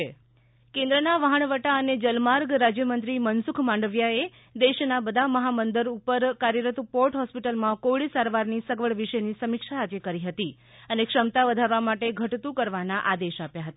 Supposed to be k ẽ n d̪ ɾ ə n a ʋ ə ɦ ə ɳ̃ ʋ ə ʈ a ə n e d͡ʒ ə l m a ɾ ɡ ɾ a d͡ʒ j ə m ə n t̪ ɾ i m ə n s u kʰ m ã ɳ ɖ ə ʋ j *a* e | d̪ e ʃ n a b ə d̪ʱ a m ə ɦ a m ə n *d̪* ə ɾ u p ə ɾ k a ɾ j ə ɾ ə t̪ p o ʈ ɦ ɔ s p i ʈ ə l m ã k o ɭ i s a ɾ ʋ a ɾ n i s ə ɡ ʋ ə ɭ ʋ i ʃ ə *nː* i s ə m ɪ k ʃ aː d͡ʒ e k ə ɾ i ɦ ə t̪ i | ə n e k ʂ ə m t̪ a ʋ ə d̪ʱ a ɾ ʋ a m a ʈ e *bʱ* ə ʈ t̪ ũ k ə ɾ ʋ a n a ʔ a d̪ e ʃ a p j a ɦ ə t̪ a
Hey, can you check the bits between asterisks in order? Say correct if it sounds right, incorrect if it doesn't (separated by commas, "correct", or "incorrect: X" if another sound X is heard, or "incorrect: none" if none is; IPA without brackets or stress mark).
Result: correct, correct, incorrect: n, incorrect: ɡʱ